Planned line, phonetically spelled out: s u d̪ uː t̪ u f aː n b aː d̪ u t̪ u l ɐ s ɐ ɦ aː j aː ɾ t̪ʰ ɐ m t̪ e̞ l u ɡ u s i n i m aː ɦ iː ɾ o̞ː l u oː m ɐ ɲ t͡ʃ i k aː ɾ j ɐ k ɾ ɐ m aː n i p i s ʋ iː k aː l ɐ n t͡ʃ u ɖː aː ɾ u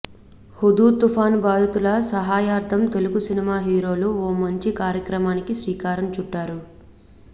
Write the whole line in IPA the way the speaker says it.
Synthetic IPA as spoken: h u d̪ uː t̪ u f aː n b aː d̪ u t̪ u l ɐ s ɐ ɦ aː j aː ɾ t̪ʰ ɐ m t̪ e̞ l u ɡ u s i n i m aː ɦ iː ɾ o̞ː l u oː m ɐ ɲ t͡ʃ i k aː ɾ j ɐ k ɾ ɐ m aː n i k i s ʋ iː k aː ɾ ɐ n t͡ʃ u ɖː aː ɾ u

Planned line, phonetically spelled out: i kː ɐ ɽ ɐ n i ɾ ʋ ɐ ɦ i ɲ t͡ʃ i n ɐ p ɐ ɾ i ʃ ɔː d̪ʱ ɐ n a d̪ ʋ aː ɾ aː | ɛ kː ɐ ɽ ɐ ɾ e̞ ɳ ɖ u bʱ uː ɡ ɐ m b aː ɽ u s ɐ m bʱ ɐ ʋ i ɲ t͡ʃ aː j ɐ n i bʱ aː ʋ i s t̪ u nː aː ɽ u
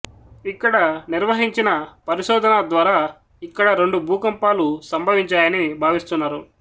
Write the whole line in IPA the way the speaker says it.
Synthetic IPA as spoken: i kː ɐ ɽ ɐ n i ɾ ʋ ɐ ɦ i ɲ t͡ʃ i n ɐ p ɐ ɾ i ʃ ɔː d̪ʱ ɐ n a d̪ ʋ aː ɾ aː | i kː ɐ ɽ ɐ ɾ e̞ ɳ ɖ u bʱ uː k ɐ m p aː l u s ɐ m bʱ ɐ ʋ i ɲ t͡ʃ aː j ɐ n i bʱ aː ʋ i s t̪ u nː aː ɾ u

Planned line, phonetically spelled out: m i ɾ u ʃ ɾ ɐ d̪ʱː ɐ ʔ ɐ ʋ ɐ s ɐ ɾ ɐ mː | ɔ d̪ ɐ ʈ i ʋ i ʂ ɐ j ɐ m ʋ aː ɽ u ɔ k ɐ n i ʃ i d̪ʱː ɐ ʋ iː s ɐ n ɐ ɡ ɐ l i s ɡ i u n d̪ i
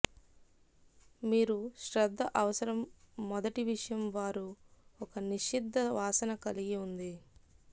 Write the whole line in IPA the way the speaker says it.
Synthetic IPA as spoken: m iː ɾ u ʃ ɾ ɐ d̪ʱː ɐ ʔ ɐ ʋ ɐ s ɐ ɾ ɐ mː | ɔ d̪ ɐ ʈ i ʋ i ʂ ɐ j ɐ m ʋ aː ɾ u ɔ k ɐ n i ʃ i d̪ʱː ɐ ʋ aː s ɐ n ɐ k ɐ l i ɡ i u n d̪ i

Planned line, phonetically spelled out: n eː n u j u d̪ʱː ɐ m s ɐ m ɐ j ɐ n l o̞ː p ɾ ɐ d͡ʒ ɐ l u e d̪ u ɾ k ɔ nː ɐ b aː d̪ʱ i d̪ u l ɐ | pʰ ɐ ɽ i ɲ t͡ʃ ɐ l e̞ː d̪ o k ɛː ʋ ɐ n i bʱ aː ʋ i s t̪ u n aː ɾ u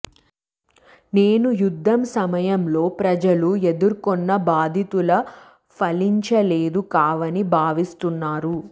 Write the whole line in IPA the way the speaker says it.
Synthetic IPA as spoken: n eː n u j u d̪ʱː ɐ m s ɐ m ɐ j ɐ m l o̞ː p ɾ ɐ d͡ʒ ɐ l u e d̪ u ɾ k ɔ nː ɐ b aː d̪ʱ i t̪ u l ɐ | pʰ ɐ l i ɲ t͡ʃ ɐ l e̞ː d̪ u k aː ʋ ɐ n i bʱ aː ʋ i s t̪ u nː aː ɾ u

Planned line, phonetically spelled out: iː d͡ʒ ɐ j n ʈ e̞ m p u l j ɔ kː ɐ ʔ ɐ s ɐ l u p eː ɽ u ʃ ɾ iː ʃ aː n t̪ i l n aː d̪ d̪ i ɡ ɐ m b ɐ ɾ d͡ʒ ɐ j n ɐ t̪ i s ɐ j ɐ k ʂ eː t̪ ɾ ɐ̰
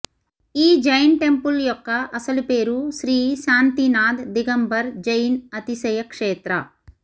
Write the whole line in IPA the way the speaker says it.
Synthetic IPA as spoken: iː d͡ʒ ɐ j n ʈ e̞ m p u l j ɔ kː ɐ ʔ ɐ s ɐ l u p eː ɾ u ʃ ɾ iː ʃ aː n t̪ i n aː d̪ d̪ i ɡ ɐ m b ɐ ɾ d͡ʒ ɐ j n ɐ t̪ i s ɐ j ɐ k ʂ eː t̪ ɾ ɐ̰

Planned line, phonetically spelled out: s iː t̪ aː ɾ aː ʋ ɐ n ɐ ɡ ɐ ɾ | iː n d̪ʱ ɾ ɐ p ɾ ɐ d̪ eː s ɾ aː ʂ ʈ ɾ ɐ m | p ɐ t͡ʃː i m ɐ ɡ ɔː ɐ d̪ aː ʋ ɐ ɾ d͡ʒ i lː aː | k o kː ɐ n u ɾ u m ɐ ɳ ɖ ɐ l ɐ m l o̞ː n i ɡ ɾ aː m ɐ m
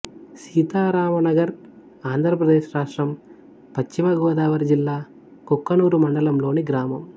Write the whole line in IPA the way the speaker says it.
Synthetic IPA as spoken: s iː t̪ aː ɾ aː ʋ ɐ n ɐ ɡ ɐ ɾ | aː n d̪ʱ ɾ ɐ p ɾ ɐ d̪ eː ʃ ɾ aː ʂ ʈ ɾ ɐ m | p ɐ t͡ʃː i m ɐ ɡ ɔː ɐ d̪ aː ʋ ɐ ɾ d͡ʒ i lː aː | k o kː ɐ n uː ɾ u m ɐ ɳ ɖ ɐ l ɐ m l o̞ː n i ɡ ɾ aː m ɐ m

